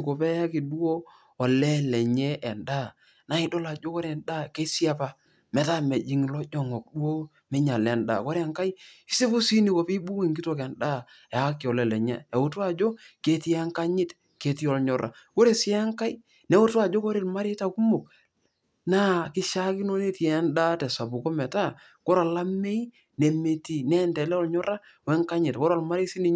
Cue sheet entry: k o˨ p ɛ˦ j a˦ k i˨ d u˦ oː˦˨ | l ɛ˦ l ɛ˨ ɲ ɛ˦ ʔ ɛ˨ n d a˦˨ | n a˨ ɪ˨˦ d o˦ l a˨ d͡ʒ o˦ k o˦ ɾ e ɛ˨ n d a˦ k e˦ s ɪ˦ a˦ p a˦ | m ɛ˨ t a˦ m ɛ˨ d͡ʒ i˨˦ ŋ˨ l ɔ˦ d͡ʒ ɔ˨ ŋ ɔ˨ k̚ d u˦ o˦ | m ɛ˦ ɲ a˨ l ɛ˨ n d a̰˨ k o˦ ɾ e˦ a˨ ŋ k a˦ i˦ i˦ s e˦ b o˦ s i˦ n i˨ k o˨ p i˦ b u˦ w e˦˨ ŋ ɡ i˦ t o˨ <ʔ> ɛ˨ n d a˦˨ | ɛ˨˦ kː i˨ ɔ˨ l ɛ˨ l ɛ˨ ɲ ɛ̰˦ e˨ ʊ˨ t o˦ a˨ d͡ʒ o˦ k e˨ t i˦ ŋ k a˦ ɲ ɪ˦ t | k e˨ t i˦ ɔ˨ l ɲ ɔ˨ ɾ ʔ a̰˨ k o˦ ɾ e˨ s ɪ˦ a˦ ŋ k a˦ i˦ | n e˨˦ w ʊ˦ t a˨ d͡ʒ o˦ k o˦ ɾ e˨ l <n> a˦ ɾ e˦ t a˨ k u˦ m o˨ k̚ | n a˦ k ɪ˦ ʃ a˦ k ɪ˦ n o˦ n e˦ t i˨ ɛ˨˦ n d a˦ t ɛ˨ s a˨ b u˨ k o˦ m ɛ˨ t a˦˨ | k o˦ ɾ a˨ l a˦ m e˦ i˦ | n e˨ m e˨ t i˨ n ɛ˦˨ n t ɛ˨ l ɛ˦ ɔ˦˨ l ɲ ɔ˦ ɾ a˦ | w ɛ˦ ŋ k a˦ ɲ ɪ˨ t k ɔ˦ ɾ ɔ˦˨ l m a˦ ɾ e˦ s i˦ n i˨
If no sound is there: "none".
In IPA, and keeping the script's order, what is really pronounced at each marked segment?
k, m

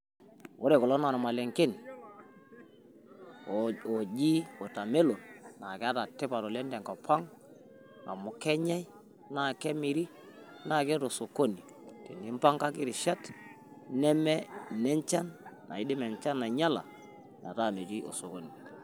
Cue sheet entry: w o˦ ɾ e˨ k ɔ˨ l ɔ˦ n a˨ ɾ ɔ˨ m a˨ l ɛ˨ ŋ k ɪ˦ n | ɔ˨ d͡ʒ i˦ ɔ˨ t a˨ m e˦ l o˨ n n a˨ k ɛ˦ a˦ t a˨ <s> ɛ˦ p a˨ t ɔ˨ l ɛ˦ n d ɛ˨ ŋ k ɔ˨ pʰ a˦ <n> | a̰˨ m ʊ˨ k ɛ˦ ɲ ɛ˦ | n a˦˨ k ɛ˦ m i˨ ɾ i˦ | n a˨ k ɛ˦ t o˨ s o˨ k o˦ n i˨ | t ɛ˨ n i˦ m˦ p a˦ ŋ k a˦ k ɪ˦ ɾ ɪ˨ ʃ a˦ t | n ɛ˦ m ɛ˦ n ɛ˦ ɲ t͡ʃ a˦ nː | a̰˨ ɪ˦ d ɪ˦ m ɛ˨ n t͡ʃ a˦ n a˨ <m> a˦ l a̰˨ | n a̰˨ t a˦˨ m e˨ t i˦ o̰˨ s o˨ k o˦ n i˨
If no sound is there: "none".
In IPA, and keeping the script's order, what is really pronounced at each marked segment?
t, ŋ, ɲ

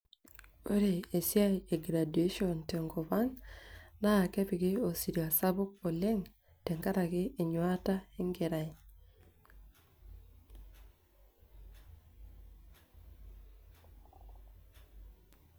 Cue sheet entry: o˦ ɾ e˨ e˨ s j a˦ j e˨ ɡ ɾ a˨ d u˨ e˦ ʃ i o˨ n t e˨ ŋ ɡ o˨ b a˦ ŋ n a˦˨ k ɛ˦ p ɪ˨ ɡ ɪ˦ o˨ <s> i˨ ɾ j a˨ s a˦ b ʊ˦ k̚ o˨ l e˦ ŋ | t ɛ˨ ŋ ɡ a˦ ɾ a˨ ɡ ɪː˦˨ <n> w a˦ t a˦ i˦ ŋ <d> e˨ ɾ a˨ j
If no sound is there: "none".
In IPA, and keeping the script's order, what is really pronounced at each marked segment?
s, ɲ, ɡ

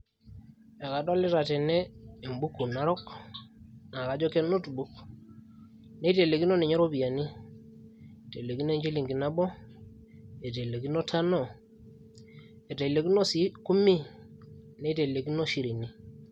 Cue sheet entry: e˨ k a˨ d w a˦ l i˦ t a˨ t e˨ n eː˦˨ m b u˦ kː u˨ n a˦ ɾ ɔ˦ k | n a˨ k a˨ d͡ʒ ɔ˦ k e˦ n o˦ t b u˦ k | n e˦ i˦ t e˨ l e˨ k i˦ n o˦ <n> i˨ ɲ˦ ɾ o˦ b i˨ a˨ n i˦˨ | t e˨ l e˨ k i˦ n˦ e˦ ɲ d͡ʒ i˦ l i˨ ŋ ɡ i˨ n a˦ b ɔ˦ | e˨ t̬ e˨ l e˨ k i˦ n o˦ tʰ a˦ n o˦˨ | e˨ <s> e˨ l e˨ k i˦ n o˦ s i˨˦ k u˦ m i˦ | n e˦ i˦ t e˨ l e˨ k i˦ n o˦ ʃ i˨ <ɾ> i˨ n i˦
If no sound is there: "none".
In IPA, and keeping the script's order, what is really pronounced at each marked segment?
n, t, ɾ

